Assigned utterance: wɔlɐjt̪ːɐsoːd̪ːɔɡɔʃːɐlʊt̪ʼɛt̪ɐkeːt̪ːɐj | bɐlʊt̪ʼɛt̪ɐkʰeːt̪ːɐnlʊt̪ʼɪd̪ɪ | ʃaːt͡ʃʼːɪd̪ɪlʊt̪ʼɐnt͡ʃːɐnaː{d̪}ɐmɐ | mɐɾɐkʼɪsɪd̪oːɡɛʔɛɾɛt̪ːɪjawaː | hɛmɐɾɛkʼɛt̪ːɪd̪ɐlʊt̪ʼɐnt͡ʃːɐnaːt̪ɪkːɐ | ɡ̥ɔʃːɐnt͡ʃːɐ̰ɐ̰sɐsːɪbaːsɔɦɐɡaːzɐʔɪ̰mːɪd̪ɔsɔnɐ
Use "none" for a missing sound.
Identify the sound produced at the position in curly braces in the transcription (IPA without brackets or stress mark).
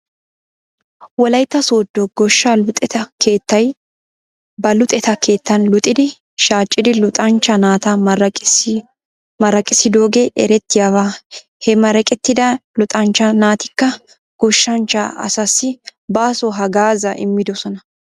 t̪